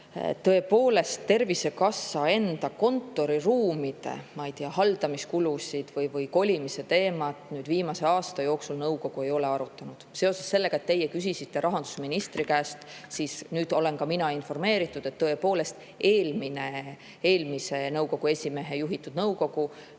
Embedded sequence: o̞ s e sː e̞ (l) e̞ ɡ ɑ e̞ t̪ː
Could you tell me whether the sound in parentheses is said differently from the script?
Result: yes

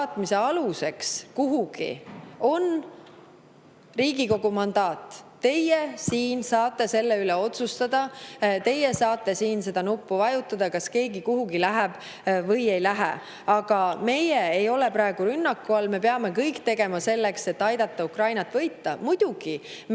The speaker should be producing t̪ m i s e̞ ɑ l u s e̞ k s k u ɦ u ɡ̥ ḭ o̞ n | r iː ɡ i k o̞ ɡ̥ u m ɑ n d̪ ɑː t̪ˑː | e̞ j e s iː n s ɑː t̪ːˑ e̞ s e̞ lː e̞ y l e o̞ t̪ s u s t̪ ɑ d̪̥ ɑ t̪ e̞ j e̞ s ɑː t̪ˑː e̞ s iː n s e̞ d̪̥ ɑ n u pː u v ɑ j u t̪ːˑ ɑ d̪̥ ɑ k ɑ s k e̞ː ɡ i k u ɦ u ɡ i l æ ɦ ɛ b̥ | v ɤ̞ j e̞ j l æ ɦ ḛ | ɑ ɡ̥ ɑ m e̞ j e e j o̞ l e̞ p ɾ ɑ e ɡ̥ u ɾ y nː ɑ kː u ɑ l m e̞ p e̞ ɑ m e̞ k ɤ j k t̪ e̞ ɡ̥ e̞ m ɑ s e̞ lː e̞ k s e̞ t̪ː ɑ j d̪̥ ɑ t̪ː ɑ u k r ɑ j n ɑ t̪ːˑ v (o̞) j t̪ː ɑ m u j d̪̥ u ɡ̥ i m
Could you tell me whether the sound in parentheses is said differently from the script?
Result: yes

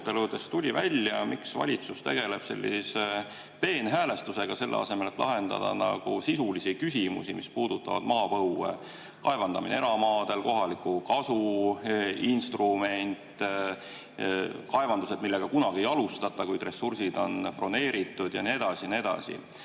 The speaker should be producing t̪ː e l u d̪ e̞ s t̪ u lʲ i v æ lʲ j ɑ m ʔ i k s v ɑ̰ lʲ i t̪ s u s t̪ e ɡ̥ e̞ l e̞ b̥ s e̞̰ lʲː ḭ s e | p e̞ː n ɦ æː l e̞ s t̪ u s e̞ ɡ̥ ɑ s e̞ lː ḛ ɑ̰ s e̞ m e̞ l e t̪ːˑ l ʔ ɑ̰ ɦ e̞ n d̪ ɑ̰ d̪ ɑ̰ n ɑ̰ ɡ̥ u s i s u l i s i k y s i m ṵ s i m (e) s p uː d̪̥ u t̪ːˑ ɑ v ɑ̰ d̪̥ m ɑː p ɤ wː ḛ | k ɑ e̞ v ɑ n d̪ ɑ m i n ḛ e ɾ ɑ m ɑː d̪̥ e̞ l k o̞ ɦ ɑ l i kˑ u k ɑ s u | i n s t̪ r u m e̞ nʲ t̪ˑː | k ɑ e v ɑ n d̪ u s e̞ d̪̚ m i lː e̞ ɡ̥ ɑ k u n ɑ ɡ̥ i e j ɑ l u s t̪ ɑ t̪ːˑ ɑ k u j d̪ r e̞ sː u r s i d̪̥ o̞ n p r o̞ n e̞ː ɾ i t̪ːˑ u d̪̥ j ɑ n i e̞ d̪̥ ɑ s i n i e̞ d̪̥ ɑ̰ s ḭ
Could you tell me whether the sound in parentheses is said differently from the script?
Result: yes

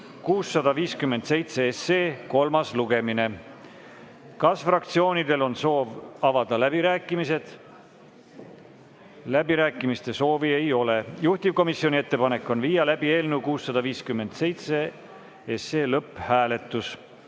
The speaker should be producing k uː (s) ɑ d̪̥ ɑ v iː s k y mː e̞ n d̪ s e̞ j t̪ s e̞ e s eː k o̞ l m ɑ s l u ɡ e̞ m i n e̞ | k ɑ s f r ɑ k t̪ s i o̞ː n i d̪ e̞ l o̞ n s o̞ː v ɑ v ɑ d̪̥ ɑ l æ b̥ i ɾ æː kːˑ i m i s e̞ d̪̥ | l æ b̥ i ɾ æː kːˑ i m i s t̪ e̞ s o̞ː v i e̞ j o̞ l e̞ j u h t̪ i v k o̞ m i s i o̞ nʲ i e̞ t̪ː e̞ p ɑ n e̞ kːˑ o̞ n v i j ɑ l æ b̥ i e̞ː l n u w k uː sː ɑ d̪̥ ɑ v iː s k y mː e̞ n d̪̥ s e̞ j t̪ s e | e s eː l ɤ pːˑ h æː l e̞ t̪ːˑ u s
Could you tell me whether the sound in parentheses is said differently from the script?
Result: yes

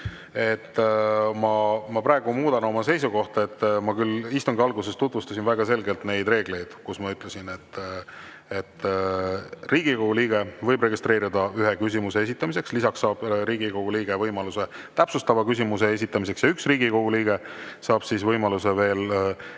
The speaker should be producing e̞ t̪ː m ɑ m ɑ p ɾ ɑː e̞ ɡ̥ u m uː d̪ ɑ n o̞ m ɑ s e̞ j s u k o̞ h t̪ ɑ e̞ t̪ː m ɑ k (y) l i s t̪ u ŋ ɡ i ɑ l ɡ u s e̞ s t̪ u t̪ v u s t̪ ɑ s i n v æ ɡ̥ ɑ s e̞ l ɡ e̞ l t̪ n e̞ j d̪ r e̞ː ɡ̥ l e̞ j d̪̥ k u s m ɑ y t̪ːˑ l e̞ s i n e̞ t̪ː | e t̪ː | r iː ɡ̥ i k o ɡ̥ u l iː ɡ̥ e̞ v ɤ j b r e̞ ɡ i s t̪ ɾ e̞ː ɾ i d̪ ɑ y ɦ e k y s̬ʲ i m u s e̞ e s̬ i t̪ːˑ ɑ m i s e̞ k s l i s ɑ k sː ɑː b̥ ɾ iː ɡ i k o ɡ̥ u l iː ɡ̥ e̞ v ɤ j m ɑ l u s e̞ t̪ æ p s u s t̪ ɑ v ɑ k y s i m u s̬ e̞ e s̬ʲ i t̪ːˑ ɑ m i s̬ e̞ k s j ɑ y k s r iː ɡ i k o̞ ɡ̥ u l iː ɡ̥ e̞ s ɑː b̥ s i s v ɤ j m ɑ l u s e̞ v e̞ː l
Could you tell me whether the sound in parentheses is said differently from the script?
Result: no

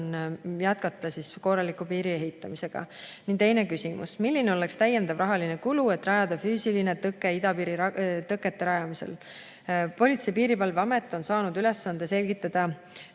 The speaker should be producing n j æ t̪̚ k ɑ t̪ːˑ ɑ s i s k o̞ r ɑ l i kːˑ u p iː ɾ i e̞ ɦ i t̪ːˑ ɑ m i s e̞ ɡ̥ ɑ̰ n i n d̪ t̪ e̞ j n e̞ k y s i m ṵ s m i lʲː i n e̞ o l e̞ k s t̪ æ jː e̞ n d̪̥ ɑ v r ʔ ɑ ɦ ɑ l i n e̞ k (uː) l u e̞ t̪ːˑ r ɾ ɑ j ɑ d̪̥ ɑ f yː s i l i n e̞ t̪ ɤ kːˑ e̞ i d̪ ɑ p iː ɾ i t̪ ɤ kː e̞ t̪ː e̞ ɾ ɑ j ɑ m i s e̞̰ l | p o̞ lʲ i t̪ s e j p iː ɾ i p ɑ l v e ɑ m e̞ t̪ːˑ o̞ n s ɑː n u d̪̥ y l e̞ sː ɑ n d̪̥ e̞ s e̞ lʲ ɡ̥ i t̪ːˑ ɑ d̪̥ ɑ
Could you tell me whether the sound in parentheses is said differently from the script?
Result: yes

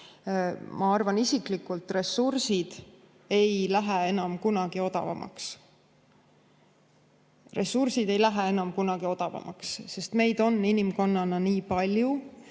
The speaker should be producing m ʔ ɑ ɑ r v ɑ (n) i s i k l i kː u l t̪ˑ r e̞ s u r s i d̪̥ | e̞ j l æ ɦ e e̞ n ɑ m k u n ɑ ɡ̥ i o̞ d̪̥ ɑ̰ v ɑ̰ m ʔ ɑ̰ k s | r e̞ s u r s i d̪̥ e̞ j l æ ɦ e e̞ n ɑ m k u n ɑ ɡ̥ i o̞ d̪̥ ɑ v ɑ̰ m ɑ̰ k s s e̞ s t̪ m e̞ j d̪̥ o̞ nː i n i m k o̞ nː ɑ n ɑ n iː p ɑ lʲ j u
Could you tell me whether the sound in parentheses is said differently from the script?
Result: no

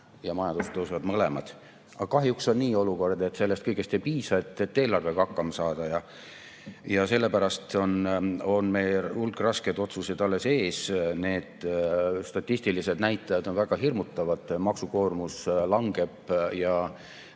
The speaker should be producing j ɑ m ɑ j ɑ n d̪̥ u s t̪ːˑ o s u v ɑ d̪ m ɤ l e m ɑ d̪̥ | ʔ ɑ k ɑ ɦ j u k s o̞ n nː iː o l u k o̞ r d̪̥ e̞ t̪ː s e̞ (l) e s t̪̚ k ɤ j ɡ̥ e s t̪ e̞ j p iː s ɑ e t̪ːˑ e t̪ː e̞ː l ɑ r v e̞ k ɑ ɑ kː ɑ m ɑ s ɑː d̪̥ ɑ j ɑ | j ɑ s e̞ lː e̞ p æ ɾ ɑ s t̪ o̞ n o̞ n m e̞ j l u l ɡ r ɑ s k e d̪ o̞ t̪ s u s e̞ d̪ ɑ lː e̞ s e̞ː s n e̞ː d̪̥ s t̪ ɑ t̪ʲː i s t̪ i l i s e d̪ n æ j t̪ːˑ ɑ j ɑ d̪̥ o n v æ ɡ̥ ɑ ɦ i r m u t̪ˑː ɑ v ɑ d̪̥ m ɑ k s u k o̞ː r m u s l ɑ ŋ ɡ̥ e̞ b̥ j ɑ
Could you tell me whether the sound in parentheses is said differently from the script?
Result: yes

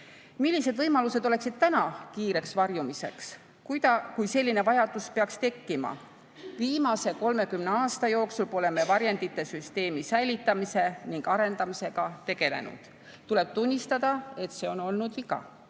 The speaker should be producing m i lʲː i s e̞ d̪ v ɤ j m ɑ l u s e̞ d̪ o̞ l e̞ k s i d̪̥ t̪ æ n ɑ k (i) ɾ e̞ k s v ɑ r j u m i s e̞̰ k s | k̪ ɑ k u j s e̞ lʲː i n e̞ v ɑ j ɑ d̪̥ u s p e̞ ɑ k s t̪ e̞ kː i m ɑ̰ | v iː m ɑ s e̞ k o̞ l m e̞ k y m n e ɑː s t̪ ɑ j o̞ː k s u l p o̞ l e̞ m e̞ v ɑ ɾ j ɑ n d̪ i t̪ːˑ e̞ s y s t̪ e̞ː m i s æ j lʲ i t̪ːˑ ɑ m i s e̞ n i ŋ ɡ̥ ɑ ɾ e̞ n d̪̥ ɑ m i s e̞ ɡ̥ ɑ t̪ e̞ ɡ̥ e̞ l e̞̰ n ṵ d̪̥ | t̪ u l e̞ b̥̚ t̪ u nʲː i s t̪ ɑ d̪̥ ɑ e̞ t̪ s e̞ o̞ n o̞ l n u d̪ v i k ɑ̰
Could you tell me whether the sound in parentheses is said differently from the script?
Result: yes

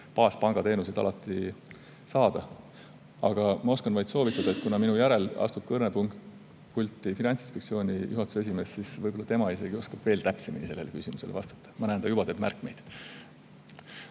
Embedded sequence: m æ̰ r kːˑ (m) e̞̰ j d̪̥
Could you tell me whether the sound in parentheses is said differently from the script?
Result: no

